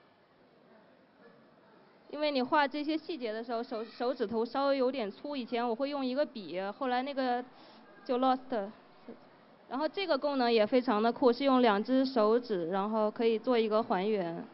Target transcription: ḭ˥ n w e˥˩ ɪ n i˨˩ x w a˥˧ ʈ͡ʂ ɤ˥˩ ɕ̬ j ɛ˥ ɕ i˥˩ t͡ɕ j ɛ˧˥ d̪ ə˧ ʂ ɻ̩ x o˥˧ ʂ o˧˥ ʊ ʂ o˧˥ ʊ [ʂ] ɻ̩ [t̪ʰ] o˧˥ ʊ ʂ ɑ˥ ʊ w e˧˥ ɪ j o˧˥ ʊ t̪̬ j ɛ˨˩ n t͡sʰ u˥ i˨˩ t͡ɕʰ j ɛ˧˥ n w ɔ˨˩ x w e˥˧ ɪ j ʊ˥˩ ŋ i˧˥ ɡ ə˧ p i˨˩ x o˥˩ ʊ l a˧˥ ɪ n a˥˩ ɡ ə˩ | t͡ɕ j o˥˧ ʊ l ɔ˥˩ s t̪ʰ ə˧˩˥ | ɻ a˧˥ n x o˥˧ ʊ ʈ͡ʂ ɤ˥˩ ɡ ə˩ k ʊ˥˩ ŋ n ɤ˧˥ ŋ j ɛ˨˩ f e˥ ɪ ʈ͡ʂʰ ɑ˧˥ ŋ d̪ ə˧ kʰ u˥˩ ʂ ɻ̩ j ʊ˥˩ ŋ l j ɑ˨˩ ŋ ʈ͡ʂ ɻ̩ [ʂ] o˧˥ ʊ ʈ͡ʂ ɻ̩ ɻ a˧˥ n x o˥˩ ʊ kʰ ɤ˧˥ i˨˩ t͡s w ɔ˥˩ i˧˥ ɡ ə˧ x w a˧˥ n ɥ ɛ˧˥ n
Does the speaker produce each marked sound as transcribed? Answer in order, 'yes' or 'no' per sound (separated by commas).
no, yes, yes